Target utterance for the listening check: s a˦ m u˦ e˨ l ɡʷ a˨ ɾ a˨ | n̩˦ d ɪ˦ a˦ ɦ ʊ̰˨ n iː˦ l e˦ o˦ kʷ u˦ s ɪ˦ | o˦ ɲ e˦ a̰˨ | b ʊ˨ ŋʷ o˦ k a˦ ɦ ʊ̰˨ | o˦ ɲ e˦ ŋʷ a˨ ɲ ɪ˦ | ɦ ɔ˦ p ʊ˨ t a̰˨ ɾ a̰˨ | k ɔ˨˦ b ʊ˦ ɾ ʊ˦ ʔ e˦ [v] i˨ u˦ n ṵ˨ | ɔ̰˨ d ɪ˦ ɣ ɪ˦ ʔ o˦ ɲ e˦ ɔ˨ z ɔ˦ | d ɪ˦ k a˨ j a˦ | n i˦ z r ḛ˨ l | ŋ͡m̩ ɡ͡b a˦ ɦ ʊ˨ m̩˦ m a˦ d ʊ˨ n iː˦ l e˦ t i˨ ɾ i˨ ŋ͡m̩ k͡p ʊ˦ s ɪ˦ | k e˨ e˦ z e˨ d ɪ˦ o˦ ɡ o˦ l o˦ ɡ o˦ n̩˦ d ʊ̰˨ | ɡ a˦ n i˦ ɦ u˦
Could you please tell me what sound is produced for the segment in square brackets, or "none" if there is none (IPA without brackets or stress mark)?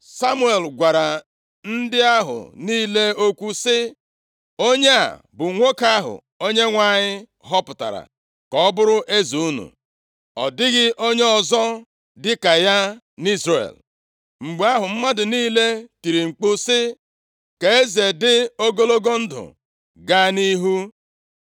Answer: z